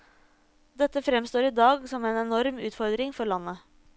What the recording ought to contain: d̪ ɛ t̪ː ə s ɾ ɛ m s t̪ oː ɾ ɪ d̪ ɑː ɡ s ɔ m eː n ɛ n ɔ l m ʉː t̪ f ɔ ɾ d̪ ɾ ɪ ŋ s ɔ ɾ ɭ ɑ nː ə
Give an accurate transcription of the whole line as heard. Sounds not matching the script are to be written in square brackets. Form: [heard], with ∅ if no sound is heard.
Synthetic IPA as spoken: d̪ ɛ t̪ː ə [f] ɾ ɛ m s t̪ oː ɾ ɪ d̪ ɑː ɡ s ɔ m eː n ɛ n ɔ [ɾ] m ʉː t̪ f ɔ ɾ d̪ ɾ ɪ ŋ [f] ɔ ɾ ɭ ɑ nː ə